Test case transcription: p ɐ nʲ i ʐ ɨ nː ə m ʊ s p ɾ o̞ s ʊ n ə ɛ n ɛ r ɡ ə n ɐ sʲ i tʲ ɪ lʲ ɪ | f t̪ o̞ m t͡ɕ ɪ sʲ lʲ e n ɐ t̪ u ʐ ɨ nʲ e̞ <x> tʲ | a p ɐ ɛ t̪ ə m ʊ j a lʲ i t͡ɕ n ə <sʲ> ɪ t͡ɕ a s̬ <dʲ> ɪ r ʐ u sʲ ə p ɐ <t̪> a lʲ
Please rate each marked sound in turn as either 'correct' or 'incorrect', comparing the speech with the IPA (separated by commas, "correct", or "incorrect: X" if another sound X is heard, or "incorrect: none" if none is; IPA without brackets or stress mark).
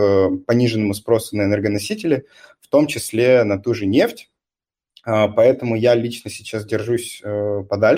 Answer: incorrect: f, correct, correct, incorrect: d̪